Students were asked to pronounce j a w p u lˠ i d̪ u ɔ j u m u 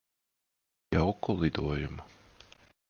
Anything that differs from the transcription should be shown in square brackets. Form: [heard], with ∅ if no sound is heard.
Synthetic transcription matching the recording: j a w [k] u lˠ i d̪ u ɔ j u m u